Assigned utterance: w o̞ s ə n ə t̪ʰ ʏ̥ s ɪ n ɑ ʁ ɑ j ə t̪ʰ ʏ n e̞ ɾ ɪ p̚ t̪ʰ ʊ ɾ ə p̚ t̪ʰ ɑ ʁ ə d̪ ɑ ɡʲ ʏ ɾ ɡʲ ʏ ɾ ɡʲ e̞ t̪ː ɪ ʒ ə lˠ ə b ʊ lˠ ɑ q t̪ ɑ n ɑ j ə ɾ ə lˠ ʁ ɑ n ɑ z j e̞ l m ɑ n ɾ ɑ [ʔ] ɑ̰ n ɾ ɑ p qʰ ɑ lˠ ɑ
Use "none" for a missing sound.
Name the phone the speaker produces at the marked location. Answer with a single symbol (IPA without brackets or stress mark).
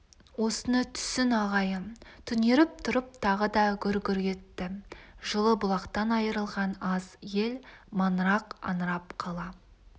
q